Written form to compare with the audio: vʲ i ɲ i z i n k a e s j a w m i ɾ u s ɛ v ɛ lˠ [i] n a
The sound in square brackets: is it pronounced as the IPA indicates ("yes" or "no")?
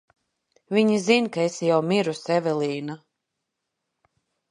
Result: no